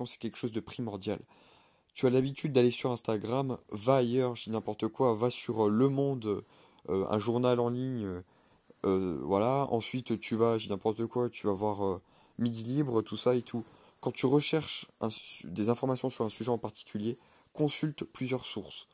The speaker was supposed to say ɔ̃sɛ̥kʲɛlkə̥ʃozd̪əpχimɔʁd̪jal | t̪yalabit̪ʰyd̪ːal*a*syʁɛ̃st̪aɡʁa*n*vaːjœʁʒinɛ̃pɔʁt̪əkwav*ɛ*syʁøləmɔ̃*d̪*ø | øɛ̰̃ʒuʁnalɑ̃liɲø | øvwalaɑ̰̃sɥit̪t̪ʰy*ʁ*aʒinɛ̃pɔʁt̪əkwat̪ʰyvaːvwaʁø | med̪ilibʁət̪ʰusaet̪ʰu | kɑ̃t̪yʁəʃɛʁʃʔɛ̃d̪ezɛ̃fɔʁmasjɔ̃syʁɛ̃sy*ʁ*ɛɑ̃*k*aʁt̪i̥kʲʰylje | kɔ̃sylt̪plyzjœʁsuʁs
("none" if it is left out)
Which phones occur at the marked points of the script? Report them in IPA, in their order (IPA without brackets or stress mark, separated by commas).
e, m, a, d̪, v, ʒ, p